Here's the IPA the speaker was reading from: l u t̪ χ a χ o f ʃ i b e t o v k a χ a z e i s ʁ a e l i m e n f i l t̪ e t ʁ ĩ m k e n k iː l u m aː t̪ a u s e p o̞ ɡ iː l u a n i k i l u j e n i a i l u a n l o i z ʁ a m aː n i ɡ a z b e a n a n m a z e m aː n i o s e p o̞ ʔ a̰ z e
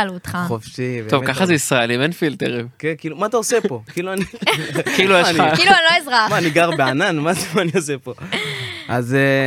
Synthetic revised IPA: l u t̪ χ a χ o f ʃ i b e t o v k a χ a z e i s ʁ a e l i m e n f i l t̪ e ʁ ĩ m k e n k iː l u m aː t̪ a o s e p o̞ k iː l u a n i k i l u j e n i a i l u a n l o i z ʁ a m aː n i ɡ a ʁ b e a n a n m a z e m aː n i o s e p o̞ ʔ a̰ z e